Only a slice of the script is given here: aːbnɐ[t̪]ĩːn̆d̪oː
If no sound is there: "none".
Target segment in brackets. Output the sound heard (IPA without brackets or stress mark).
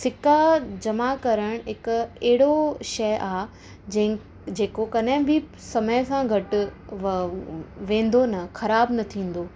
t̪ʰ